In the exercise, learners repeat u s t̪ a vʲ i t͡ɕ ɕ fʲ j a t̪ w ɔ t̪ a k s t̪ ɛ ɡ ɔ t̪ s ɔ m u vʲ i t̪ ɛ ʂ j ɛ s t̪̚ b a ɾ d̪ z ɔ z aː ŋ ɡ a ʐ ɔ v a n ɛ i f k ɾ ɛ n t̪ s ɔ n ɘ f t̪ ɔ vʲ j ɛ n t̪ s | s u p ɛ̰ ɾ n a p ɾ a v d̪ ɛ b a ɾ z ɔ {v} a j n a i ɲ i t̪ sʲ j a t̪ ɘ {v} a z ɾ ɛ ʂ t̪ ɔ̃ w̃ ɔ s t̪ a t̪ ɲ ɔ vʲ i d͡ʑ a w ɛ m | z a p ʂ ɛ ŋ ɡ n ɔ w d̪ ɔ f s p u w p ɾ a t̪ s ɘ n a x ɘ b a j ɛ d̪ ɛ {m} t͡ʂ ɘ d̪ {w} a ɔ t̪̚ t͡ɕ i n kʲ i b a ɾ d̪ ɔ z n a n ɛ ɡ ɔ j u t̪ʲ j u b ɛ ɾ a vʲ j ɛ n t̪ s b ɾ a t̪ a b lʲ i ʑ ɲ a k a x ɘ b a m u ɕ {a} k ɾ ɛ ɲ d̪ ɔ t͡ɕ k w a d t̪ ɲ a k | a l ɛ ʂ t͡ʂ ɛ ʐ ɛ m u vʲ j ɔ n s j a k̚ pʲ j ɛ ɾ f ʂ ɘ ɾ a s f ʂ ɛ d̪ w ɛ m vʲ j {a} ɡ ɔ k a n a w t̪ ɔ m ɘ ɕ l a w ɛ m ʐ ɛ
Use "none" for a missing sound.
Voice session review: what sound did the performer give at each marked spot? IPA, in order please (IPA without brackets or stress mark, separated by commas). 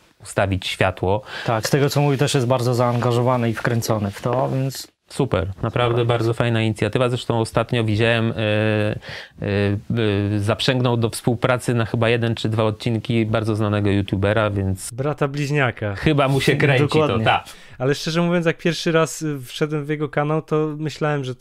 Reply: f, v, n, v, ɛ, ɛ